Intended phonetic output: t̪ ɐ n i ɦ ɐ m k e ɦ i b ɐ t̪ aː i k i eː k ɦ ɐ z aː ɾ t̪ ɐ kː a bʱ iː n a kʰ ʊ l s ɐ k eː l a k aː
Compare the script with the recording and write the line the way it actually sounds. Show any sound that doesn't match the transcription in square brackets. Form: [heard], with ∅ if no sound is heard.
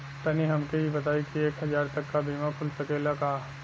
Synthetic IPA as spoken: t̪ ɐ n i ɦ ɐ m k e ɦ i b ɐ t̪ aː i k i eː k ɦ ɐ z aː ɾ t̪ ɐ kː a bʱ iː [m] a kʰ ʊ l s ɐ k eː l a k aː